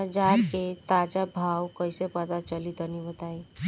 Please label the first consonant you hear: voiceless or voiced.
voiced